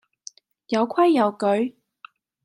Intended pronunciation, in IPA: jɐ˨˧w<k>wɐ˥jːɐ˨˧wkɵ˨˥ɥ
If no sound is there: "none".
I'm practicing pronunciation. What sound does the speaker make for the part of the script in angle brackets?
kʰ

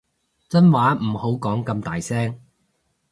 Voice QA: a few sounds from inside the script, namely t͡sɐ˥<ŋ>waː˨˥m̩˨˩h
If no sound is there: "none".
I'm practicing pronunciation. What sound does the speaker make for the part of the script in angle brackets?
n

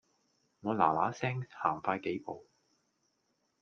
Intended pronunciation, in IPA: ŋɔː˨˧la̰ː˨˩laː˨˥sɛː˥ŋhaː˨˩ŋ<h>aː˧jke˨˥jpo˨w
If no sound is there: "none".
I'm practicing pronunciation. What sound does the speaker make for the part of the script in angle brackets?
f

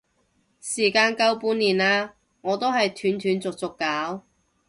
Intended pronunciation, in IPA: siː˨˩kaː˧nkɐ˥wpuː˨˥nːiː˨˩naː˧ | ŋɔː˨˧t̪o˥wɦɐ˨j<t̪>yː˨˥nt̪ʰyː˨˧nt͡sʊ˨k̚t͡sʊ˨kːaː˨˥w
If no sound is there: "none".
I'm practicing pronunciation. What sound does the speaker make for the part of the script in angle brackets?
t̪ʰ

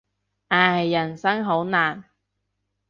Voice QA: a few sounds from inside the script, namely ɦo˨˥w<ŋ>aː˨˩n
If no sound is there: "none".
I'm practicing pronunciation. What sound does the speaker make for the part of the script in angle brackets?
n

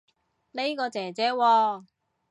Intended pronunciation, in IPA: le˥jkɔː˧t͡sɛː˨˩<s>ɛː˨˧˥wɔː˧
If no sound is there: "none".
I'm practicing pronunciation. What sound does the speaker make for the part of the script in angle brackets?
t͡s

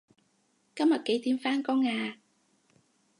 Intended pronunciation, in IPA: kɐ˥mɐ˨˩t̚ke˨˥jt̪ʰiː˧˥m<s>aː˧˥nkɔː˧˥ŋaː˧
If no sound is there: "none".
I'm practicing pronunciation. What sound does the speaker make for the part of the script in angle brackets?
f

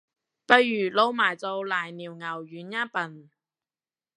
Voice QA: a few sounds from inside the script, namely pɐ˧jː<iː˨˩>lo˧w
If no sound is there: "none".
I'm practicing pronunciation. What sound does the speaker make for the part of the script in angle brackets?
yː˨˩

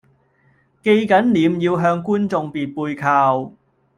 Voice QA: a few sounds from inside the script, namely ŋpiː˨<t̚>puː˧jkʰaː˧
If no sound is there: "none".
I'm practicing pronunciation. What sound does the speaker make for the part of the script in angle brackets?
t̚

